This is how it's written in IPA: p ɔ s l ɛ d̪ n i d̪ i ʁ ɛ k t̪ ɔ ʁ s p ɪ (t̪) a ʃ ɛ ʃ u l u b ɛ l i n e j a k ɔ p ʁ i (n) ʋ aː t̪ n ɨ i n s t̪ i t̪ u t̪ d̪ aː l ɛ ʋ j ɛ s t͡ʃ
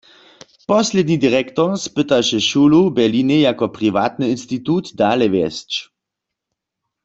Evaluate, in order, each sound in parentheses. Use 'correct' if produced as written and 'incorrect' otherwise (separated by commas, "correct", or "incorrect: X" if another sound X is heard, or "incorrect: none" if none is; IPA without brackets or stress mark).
correct, incorrect: none